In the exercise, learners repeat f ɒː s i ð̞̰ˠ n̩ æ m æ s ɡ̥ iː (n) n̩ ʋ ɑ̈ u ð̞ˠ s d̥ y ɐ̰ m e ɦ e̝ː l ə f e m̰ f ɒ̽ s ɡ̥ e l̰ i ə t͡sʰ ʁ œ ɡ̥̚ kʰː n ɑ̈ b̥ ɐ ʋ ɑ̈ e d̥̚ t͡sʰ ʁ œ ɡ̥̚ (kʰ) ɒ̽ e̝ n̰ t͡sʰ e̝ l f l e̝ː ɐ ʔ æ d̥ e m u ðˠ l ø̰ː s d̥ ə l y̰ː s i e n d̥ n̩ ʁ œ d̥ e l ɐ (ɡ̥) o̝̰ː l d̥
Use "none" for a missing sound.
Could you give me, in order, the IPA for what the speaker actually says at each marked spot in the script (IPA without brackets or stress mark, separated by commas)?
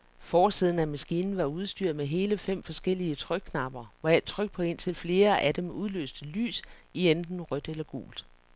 n, pʰ, ɡ̥